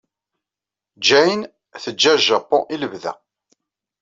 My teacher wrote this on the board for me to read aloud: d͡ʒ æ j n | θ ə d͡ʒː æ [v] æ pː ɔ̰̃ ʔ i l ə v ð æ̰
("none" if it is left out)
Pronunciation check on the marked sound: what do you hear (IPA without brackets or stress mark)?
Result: ʒ